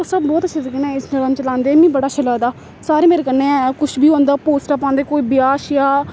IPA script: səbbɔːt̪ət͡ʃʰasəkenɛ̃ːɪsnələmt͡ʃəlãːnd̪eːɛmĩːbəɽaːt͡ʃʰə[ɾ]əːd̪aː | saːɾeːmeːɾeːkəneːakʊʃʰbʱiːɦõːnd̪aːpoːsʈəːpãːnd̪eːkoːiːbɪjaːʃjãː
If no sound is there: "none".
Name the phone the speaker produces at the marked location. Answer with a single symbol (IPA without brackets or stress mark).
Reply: l